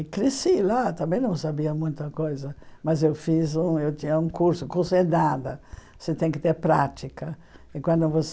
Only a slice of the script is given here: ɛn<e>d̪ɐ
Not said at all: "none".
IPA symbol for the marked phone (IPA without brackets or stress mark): a